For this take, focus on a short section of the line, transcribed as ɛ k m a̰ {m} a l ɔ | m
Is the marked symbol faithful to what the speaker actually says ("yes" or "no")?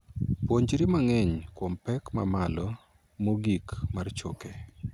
yes